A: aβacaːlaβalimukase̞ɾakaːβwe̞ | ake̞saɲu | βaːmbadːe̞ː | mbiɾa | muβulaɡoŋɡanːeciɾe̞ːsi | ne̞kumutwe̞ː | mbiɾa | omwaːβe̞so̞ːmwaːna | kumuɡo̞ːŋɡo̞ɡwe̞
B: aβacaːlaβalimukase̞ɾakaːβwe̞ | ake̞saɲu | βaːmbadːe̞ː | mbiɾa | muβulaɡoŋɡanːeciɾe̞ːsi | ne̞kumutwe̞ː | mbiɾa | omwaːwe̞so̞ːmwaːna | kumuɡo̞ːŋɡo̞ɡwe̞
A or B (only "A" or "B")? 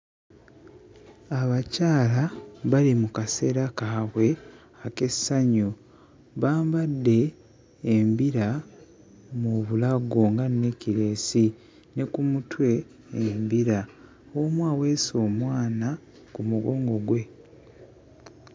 B